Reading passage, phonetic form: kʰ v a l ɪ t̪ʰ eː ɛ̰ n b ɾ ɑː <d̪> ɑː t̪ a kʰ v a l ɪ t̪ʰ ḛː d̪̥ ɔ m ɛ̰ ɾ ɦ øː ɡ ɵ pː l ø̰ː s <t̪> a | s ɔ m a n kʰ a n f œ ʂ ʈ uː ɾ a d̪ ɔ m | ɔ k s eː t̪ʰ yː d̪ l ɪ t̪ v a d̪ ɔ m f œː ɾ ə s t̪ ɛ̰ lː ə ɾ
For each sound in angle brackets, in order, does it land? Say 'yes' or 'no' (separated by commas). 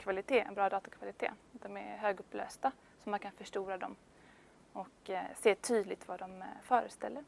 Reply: yes, yes